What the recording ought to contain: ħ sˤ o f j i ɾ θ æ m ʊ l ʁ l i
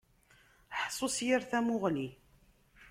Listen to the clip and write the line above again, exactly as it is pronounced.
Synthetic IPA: ħ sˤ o s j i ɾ θ æ m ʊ ʁ l i